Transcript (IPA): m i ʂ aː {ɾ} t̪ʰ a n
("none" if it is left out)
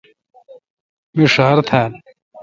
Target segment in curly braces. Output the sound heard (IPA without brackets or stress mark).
ɾ